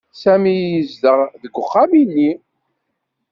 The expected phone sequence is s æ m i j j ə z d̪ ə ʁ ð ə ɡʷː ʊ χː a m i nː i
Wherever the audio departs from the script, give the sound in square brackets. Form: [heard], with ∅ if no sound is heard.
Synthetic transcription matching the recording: s æ m i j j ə z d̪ ə ʁ ð ə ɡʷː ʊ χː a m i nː i